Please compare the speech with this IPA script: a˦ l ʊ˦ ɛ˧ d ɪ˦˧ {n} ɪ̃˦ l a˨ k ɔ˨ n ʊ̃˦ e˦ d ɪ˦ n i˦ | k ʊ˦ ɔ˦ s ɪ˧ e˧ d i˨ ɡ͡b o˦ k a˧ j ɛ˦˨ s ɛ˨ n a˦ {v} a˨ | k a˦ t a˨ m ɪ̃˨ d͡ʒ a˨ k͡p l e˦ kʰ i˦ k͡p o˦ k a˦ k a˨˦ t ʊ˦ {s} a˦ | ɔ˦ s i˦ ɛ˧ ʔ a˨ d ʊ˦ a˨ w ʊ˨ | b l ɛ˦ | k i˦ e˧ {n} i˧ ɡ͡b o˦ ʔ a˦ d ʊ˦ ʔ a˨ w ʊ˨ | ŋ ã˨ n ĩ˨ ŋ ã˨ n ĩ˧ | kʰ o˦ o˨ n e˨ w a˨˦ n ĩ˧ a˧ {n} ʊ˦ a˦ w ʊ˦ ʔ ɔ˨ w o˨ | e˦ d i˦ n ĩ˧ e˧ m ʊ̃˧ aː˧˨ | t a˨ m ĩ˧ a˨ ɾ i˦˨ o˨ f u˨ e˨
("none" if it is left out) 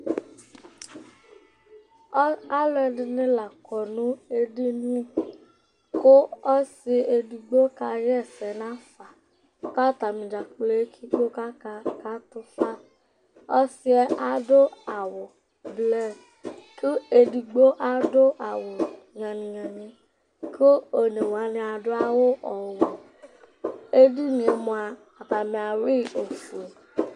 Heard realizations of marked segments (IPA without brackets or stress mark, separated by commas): n, f, f, d, d